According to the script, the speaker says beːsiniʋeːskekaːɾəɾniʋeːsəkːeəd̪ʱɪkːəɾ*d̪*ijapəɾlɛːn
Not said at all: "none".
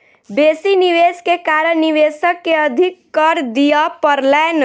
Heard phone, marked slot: d̪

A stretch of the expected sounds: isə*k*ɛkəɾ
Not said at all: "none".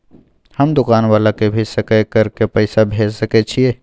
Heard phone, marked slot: k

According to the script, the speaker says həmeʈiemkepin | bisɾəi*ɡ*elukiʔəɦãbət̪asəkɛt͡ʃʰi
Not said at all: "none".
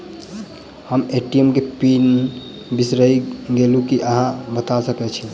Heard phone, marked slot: ɡ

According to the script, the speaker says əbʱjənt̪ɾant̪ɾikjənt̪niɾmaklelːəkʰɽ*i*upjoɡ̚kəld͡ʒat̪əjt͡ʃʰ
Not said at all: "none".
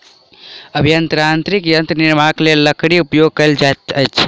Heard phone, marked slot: i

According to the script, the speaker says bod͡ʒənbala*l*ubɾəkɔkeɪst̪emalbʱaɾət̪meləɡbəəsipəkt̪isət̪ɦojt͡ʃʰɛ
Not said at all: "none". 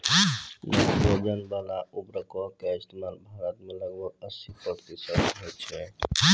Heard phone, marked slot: none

